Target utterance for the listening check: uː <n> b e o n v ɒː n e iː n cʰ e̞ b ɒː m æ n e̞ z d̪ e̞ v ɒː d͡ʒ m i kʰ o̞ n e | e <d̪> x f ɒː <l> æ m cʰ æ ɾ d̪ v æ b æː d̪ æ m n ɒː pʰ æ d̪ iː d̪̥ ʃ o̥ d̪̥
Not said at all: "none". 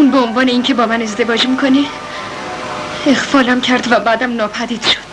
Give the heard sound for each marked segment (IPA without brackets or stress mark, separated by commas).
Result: n, none, l